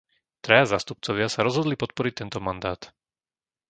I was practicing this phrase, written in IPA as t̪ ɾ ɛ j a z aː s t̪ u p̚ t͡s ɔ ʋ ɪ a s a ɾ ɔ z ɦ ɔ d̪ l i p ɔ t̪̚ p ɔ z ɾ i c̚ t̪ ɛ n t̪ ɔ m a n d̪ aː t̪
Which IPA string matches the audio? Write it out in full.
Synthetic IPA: t̪ ɾ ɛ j a z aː s t̪ u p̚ t͡s ɔ ʋ ɪ a s a ɾ ɔ z ɦ ɔ d̪ l i p ɔ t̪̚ p ɔ ɾ i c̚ t̪ ɛ n t̪ ɔ m a n d̪ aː t̪

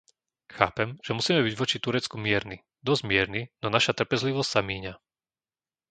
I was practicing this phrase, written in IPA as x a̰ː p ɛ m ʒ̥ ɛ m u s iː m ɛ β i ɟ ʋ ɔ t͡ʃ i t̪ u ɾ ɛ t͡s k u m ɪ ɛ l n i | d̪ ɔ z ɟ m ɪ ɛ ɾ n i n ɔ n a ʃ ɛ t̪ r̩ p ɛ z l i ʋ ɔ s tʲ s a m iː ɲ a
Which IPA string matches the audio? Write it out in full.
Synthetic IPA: x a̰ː p ɛ m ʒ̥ ɛ m u s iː m ɛ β i ɟ ʋ ɔ t͡ʃ i t̪ u ɾ ɛ t͡s k u m ɪ ɛ ɾ n i | d̪ ɔ z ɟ m ɪ ɛ ɾ n i n ɔ n a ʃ a t̪ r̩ p ɛ z l i ʋ ɔ s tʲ s a m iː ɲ a

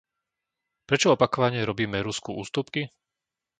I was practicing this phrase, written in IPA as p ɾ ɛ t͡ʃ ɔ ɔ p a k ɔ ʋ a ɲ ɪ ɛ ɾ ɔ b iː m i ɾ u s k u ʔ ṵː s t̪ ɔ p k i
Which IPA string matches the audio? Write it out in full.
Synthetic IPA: p ɾ ɛ t͡ʃ ɔ ɔ p a k ɔ ʋ a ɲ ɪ ɛ ɾ ɔ b iː m ɛ ɾ u s k u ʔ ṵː s t̪ u p k i

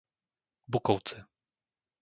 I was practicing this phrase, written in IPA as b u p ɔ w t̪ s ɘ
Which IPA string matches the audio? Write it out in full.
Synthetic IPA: b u k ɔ w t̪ s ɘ

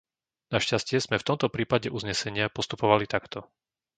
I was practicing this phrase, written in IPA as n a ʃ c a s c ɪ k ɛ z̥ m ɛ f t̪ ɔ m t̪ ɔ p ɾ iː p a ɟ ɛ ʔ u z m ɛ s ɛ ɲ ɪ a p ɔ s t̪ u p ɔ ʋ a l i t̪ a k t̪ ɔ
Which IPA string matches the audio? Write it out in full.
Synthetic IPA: n a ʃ c a s c ɪ ɛ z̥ m ɛ f t̪ ɔ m t̪ ɔ p ɾ iː p a ɟ ɛ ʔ u z ɲ ɛ s ɛ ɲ ɪ a p ɔ s t̪ u p ɔ ʋ a l i t̪ a k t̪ ɔ

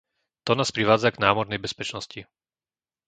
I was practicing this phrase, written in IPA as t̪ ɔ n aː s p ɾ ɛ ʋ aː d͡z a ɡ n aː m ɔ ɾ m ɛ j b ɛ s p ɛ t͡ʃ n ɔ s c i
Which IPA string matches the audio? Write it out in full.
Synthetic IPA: t̪ ɔ n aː s p ɾ i ʋ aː d͡z a ɡ n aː m ɔ ɾ n ɛ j b ɛ s p ɛ t͡ʃ n ɔ s c i

